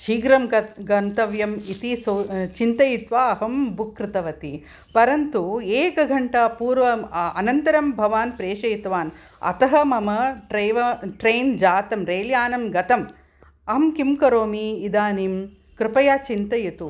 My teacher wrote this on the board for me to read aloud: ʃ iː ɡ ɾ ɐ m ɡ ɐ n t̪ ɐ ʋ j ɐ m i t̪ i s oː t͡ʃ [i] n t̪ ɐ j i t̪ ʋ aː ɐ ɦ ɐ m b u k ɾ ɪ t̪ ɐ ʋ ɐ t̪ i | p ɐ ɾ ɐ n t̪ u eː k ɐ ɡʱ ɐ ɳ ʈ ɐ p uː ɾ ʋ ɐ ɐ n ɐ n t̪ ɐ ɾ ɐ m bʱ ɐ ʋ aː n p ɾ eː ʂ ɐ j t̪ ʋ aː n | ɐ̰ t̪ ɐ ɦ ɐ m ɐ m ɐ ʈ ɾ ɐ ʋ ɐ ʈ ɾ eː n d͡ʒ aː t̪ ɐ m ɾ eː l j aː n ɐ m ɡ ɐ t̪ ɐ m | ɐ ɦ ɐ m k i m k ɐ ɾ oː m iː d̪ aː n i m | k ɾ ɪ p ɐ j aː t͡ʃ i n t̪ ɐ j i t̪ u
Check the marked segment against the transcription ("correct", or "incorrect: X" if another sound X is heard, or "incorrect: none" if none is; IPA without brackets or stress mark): correct